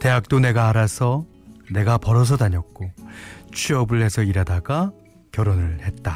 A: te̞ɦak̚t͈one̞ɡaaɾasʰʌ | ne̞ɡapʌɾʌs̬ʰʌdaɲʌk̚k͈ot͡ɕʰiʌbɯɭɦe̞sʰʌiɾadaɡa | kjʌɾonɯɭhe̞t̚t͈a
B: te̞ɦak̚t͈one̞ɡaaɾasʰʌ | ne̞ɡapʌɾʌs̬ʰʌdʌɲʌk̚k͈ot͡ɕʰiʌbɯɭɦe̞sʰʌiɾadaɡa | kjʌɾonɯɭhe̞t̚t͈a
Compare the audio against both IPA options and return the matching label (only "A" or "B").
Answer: A